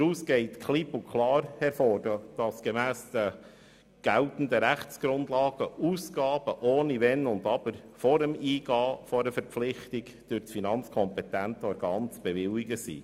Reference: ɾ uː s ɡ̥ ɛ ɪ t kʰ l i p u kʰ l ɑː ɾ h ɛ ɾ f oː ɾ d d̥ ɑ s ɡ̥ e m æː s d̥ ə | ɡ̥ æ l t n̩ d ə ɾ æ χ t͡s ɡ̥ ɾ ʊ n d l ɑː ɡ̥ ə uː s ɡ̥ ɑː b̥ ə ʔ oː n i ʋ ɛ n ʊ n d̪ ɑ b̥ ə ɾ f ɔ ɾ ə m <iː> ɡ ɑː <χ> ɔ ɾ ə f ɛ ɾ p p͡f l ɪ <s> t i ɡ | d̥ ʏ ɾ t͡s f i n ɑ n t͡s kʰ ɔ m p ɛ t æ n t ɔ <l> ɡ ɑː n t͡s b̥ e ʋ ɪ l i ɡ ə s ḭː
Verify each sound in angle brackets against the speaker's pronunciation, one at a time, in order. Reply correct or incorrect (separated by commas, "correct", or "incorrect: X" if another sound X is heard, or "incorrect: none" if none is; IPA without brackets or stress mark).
correct, incorrect: f, incorrect: χ, incorrect: ɾ